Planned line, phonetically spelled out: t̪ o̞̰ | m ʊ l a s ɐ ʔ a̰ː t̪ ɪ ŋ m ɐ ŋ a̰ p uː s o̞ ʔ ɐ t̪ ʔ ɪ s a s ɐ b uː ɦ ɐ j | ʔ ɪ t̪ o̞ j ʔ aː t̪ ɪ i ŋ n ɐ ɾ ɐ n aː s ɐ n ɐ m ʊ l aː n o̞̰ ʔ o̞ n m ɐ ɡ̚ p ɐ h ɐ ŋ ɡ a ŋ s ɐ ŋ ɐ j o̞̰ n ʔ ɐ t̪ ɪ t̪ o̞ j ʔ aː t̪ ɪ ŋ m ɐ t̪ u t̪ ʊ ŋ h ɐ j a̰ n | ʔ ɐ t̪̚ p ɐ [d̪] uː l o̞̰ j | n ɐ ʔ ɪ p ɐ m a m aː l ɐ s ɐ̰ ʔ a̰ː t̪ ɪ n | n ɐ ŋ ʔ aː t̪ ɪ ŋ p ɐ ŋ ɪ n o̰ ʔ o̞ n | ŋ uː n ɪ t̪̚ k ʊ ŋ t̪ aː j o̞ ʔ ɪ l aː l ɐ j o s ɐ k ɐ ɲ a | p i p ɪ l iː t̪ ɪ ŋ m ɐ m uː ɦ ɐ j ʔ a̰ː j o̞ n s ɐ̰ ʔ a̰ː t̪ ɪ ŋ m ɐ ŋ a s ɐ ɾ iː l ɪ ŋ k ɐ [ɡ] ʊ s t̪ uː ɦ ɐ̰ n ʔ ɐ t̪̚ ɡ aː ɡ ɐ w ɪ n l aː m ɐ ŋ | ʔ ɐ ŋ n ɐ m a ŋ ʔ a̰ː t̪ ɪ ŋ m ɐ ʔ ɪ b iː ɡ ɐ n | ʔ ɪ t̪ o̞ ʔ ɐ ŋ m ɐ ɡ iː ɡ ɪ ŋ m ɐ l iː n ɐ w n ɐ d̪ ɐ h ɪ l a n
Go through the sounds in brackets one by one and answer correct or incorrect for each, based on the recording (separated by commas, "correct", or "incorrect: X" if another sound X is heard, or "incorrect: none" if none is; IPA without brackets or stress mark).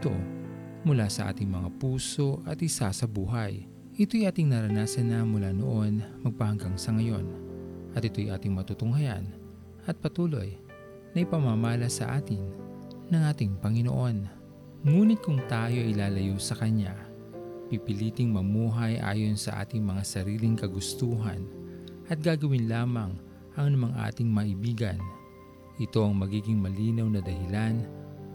incorrect: t̪, correct